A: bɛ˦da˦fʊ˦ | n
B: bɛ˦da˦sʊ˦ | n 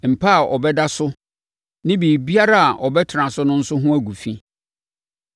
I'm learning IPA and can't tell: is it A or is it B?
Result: B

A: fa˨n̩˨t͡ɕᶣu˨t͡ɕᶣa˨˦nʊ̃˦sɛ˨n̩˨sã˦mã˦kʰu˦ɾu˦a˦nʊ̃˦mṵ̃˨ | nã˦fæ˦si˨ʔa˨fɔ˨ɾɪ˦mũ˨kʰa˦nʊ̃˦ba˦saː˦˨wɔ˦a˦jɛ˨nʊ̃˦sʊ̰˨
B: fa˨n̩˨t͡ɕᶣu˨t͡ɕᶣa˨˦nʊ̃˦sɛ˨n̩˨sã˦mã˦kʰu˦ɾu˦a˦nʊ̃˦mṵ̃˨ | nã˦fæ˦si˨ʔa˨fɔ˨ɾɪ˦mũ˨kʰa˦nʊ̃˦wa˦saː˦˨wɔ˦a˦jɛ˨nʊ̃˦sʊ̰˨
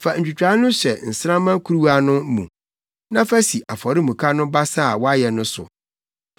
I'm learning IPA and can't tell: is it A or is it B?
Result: A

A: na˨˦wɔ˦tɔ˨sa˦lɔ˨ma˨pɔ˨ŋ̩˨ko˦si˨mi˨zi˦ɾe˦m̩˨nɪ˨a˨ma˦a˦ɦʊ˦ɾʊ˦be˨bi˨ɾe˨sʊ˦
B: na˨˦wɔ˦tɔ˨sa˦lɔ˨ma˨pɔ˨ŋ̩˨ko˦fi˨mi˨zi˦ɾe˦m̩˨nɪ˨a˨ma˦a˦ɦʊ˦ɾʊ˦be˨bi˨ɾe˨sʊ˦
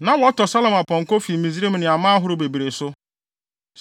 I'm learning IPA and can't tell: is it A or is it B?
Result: B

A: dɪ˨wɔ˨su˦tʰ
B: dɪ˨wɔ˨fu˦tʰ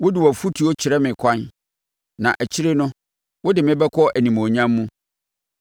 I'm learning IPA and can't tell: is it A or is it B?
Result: B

